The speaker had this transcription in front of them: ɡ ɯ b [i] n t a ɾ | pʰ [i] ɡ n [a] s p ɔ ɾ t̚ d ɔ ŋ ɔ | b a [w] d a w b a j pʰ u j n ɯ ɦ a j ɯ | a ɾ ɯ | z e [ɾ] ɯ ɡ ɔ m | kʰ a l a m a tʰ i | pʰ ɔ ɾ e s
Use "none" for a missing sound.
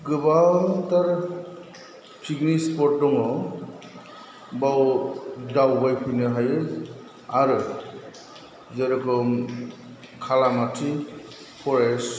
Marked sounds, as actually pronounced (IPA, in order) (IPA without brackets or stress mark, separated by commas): a, i, i, w, ɾ